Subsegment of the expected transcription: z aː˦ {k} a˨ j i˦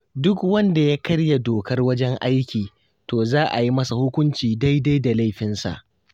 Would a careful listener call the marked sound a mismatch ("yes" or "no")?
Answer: yes